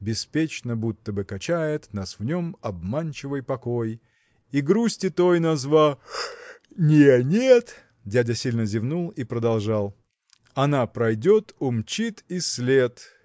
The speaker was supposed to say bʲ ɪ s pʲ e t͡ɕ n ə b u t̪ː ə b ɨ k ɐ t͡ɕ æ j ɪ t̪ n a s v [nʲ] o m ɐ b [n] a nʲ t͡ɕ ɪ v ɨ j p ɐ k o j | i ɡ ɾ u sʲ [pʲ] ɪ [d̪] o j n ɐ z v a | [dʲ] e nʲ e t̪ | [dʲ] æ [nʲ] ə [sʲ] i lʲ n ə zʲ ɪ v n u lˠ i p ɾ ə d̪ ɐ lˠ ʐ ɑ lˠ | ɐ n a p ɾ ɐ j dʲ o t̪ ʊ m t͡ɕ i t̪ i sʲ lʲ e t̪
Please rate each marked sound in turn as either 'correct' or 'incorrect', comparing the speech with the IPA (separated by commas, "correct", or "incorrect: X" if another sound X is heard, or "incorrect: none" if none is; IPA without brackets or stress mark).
correct, incorrect: m, incorrect: tʲ, incorrect: t̪, incorrect: nʲ, correct, incorrect: dʲ, correct